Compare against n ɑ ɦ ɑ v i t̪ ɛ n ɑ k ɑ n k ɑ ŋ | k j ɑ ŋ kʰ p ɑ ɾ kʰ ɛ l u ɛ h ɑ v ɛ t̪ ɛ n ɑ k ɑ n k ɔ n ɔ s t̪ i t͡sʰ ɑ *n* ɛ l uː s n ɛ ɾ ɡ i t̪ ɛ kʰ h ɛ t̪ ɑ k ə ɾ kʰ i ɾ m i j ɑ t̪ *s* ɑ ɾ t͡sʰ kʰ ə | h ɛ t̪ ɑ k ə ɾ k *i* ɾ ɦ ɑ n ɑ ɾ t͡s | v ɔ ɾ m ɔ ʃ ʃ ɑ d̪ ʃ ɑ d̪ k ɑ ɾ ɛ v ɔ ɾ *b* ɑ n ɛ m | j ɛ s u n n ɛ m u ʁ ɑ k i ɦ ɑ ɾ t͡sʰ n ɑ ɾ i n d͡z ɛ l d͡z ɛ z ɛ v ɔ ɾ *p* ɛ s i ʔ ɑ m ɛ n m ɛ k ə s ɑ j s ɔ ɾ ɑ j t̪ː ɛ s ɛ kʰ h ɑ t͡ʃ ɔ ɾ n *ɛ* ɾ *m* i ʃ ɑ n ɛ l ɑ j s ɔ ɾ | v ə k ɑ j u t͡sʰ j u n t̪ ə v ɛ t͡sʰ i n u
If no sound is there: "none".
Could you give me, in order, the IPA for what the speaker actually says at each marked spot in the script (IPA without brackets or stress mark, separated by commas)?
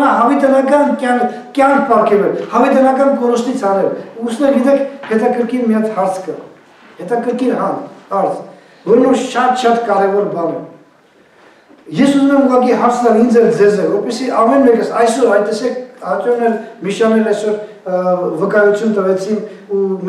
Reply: n, h, i, b, p, ɛ, m